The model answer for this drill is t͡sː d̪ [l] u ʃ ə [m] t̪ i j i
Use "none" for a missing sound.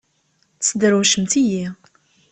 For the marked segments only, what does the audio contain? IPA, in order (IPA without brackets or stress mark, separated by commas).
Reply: ɾ, m